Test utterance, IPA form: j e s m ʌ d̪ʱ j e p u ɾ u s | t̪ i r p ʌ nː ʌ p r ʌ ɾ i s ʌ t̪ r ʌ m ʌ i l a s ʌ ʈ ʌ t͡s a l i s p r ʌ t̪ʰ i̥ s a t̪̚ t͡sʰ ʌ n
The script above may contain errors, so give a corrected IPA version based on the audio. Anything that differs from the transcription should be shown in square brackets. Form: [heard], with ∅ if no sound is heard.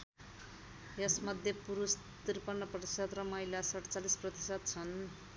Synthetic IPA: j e s m ʌ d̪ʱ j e p u ɾ u s | t̪ i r p ʌ nː ʌ p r ʌ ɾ i s ʌ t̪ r ʌ m ʌ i l a s ʌ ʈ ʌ t͡s a l i s p r ʌ [t̪] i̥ s [ʌ] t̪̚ t͡sʰ ʌ n

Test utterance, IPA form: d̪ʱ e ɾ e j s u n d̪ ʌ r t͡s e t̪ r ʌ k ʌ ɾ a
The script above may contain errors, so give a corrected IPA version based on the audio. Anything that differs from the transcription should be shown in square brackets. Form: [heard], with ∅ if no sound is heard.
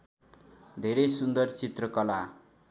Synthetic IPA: d̪ʱ e ɾ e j s u n d̪ ʌ r t͡s [i] t̪ r ʌ k ʌ [l] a

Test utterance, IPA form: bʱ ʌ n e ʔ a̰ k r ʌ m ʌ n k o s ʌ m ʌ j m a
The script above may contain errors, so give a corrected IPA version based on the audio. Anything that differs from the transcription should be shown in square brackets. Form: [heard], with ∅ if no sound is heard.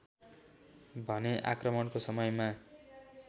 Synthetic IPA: bʱ ʌ n e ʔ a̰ k r ʌ m ʌ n k o s ʌ m ʌ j m a

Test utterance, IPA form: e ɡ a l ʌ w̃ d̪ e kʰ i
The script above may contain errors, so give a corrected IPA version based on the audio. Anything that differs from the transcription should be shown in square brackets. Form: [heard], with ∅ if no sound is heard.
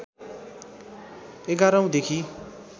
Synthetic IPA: e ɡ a [ɾ] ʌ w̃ d̪ e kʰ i

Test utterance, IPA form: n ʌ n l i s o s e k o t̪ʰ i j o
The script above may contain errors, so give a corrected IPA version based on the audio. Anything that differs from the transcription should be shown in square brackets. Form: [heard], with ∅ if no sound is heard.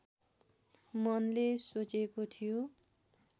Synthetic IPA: [m] ʌ n l [e] s o [t͡s] e k o t̪ʰ i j o

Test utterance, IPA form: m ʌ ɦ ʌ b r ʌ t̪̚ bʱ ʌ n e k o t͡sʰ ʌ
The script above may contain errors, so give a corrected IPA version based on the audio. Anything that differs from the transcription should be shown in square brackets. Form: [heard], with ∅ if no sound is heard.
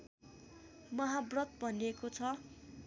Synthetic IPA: m ʌ ɦ [a] b r ʌ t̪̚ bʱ ʌ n e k o t͡sʰ ʌ

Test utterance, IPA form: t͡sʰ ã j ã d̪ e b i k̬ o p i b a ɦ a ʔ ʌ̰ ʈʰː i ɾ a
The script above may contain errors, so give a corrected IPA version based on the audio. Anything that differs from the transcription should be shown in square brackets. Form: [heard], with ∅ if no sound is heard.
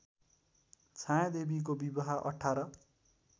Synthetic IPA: t͡sʰ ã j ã d̪ e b i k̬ o [b] i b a ɦ a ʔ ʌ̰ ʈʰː [a] ɾ [ʌ]

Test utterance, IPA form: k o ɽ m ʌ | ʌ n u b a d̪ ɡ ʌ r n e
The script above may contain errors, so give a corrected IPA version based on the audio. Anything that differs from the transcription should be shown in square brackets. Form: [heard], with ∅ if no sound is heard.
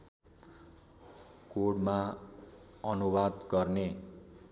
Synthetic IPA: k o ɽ m [a] | ʌ n u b a d̪ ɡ ʌ r n e

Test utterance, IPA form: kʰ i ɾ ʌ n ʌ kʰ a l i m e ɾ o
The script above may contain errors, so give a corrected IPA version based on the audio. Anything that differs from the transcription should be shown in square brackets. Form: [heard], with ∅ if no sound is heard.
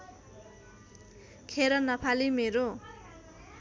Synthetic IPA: kʰ [e] ɾ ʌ n ʌ [pʰ] a l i m e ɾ o

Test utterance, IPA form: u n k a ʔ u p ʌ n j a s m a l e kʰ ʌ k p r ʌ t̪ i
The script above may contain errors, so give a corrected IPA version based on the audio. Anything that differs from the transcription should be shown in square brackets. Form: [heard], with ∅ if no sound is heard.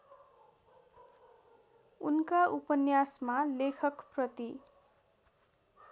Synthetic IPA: u n k a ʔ u p ʌ n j a s m a l e kʰ ʌ k p r ʌ t̪ i

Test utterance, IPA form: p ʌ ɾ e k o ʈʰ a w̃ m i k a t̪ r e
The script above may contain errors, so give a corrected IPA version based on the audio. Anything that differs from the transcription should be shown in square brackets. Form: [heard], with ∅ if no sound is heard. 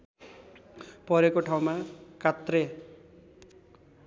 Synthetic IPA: p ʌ ɾ e k o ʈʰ a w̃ m [a] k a t̪ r e

